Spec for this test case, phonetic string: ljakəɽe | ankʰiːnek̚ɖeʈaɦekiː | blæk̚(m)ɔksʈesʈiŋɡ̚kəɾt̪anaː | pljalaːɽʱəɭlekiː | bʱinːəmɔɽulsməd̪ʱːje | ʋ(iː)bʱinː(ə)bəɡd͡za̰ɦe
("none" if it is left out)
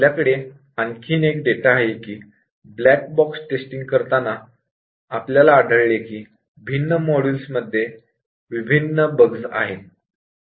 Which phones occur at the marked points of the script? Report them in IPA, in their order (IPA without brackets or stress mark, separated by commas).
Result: b, i, ə